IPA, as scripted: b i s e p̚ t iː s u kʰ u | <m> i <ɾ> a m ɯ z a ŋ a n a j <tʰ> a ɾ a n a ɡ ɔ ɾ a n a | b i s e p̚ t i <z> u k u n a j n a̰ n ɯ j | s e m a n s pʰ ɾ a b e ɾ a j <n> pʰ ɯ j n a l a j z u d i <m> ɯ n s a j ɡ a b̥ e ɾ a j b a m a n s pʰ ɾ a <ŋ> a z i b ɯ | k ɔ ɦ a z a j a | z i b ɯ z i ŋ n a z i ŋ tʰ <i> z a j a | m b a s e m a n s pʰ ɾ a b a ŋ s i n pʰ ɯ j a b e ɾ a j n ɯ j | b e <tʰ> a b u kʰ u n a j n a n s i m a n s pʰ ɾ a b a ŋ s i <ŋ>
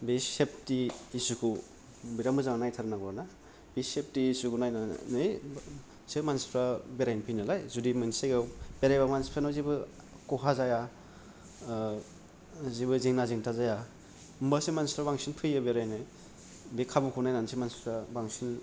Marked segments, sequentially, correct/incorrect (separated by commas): incorrect, correct, correct, incorrect, correct, correct, incorrect, incorrect, incorrect, incorrect